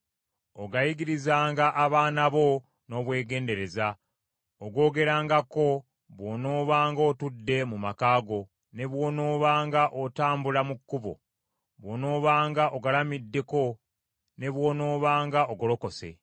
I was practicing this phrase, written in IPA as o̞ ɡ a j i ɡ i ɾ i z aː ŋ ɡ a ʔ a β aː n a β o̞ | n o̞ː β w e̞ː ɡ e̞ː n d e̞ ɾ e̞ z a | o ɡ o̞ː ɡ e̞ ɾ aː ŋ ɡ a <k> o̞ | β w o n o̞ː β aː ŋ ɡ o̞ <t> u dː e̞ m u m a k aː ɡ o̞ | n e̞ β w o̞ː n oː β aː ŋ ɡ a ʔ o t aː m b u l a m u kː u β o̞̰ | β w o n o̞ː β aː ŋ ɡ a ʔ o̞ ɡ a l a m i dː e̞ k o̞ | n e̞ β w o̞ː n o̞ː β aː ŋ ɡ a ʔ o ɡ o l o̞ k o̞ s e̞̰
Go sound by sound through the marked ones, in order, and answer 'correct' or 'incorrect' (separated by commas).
correct, correct